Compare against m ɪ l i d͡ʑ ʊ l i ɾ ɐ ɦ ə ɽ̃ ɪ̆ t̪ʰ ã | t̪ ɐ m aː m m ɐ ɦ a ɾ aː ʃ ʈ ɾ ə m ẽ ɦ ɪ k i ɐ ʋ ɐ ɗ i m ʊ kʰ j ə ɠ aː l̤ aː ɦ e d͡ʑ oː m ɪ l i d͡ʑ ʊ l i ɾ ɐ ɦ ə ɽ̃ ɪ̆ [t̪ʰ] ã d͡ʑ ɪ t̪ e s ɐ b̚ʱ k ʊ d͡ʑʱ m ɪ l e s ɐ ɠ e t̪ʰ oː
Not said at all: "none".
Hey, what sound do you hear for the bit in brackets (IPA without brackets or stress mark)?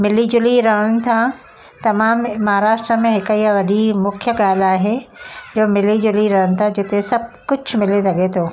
t̪ʰ